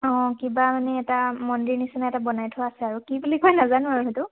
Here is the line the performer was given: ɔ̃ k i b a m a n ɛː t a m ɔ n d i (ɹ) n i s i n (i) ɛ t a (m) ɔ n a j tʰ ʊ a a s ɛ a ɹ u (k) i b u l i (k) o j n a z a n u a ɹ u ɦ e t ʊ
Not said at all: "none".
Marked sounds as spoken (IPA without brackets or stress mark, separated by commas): ɹ, a, b, k, k